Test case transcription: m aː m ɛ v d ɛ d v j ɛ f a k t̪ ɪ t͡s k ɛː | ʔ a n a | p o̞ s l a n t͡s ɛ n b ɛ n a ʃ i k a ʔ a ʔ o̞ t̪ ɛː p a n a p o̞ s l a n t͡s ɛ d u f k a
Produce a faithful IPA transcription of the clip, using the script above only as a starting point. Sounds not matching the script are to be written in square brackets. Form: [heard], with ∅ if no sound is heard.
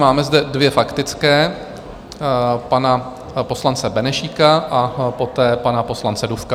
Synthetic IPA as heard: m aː m ɛ [z] d ɛ d v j ɛ f a k t̪ ɪ t͡s k ɛː | [p] a n a | p o̞ s l a n t͡s ɛ [∅] b ɛ n [ɛ] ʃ i k a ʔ a [p] o̞ t̪ ɛː p a n a p o̞ s l a n t͡s ɛ d u f k a